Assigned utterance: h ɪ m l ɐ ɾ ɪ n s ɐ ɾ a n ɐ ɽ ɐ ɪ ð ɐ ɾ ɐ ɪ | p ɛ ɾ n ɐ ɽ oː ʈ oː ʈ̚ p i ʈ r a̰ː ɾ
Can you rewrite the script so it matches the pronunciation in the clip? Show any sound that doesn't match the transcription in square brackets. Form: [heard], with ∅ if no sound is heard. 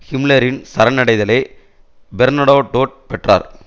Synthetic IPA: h ɪ m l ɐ ɾ ɪ n s ɐ ɾ [ɐ] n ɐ ɽ ɐ ɪ ð ɐ [l] ɐ ɪ | [b] ɛ ɾ n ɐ ɽ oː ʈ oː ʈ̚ p [ɛ] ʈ r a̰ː ɾ